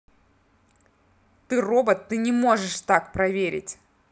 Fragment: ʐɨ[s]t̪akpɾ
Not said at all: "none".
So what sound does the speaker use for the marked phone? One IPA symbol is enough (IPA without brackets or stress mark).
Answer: ʂ